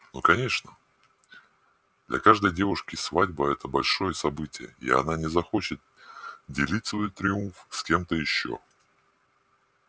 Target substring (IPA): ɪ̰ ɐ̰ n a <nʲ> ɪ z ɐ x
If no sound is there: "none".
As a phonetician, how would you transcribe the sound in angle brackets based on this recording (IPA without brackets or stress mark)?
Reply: nʲ